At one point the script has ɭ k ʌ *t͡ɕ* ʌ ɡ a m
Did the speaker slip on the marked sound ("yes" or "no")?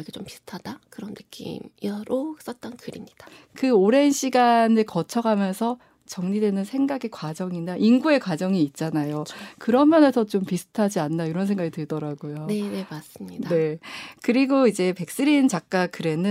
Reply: yes